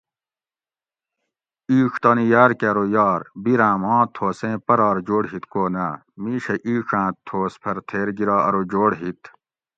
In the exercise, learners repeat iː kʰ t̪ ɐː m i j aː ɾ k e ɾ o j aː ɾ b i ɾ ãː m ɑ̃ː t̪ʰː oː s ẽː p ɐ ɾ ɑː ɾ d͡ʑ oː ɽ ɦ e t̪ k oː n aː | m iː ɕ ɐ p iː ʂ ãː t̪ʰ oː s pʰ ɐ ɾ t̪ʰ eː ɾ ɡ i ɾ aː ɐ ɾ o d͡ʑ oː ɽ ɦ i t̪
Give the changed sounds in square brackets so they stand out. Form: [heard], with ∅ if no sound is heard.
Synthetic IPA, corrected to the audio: iː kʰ t̪ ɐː [n] i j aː ɾ k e ɾ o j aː ɾ b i ɾ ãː m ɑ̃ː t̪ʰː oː s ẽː p ɐ ɾ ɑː ɾ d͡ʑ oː ɽ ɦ [i] t̪ k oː n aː | m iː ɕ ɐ [ʔ] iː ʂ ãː t̪ʰ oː s pʰ ɐ ɾ t̪ʰ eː ɾ ɡ i ɾ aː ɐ ɾ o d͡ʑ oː ɽ ɦ i t̪